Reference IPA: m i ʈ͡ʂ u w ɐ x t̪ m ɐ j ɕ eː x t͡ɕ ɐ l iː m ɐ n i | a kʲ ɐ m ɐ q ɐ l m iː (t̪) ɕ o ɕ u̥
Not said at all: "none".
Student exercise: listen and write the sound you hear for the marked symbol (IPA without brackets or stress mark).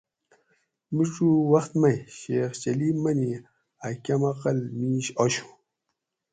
none